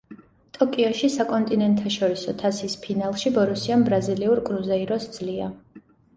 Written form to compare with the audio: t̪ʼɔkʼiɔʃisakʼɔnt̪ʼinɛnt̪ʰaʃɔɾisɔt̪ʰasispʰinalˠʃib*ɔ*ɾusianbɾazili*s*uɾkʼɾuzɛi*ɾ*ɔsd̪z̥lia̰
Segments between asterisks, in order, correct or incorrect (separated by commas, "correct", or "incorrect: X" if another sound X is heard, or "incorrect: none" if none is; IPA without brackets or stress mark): correct, incorrect: none, correct